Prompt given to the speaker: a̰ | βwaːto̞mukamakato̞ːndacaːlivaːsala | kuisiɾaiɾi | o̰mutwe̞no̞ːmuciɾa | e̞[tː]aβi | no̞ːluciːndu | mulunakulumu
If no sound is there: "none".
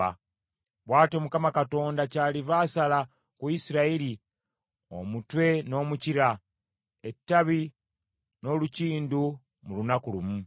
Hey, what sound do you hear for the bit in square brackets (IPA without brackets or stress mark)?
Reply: tː